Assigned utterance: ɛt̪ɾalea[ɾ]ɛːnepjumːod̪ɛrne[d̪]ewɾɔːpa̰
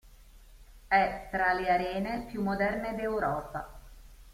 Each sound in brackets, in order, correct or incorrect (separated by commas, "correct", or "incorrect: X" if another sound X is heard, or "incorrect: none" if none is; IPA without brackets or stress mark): correct, correct